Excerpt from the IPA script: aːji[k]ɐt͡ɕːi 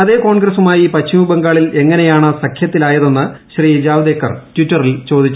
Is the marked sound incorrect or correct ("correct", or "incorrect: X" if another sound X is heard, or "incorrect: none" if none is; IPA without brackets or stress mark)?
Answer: incorrect: p